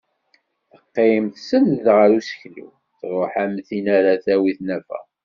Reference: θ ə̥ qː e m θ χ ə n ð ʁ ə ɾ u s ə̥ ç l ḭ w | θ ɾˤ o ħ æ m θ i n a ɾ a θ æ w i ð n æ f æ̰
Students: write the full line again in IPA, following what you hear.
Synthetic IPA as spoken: θ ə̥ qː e m θ s ə n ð ʁ ə ɾ u s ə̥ ç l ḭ w | θ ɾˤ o ħ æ m θ i n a ɾ a θ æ w i θ n æ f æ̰

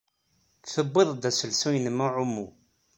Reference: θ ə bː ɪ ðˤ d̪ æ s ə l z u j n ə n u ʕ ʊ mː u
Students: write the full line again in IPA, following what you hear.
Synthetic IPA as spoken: θ ə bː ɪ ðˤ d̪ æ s ə l s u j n ə m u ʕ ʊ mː u

